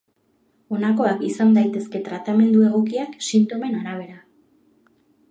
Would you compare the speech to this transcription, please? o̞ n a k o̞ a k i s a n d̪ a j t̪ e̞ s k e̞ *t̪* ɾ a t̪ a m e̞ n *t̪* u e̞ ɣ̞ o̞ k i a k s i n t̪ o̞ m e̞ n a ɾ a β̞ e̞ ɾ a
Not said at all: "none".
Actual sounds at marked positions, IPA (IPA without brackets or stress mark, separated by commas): t̪, d̪